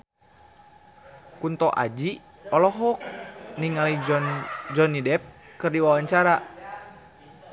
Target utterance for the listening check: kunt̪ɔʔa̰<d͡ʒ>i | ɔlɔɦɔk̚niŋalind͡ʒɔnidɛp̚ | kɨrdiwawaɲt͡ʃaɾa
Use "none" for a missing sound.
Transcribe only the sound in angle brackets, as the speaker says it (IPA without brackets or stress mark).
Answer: d͡ʒ